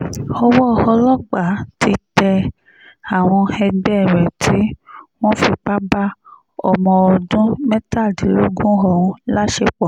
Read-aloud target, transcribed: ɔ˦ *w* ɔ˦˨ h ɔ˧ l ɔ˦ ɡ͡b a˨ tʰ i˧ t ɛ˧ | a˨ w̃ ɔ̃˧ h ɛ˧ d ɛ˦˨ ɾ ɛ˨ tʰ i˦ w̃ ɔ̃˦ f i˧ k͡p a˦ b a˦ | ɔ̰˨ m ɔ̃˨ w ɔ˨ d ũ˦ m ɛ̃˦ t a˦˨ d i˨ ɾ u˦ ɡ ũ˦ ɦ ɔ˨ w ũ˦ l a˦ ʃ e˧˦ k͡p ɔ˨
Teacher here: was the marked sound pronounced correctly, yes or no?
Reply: yes